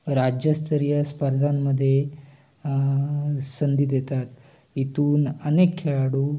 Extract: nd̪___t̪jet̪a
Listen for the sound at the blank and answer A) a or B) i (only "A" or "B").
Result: B